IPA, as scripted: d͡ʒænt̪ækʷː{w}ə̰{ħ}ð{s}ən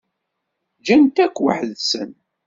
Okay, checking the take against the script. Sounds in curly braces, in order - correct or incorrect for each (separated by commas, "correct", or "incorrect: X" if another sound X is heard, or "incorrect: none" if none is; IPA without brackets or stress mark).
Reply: correct, correct, correct